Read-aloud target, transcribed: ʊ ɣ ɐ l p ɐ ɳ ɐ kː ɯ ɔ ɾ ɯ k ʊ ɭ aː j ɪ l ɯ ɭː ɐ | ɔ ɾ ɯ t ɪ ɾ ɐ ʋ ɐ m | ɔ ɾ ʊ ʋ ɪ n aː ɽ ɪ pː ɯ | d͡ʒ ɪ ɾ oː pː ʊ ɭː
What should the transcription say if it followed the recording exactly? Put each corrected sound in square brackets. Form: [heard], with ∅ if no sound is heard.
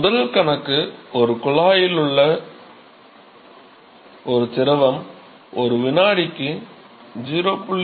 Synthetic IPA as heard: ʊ [ð] ɐ l [k] ɐ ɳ ɐ kː ɯ ɔ ɾ ɯ k ʊ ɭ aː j ɪ l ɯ ɭː ɐ | ɔ ɾ ɯ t ɪ ɾ ɐ ʋ ɐ m | ɔ ɾ [ɯ] ʋ ɪ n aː ɽ ɪ [kː] ɯ | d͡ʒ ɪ ɾ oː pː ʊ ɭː